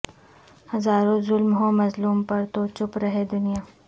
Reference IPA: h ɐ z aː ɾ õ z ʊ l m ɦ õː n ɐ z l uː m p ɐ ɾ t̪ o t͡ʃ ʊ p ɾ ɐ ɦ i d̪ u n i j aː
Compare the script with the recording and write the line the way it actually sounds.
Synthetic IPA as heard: h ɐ z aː ɾ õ z ʊ l m ɦ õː m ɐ z l uː m p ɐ ɾ t̪ o t͡ʃ ʊ p ɾ ɐ ɦ e d̪ ʊ n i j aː